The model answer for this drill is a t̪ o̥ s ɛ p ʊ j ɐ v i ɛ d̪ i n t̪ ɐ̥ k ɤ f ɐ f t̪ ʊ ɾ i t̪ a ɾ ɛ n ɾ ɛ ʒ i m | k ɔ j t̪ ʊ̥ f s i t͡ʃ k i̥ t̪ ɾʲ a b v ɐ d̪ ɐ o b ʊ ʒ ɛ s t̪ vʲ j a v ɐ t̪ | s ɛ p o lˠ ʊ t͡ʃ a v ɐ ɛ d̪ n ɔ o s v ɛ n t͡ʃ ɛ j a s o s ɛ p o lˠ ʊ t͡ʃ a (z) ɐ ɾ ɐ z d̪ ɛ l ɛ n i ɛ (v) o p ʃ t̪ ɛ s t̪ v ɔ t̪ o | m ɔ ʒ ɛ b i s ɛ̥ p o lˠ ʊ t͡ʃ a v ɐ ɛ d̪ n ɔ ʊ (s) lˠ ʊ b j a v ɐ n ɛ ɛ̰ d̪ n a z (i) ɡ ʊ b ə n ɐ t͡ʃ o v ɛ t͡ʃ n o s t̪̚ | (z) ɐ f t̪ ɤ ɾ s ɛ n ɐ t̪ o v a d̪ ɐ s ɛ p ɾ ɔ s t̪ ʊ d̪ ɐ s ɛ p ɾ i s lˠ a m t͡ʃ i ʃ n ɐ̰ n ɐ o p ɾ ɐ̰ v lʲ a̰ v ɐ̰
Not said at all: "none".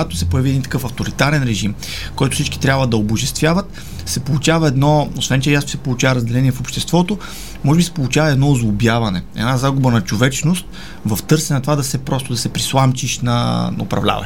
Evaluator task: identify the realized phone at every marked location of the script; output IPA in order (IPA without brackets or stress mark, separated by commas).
v, f, z, a, v